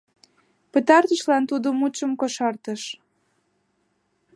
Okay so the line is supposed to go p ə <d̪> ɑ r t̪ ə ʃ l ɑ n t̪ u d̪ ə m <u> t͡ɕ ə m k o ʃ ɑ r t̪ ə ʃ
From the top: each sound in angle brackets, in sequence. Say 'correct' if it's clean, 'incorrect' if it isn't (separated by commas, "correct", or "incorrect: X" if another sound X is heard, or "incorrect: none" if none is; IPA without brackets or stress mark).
incorrect: t̪, correct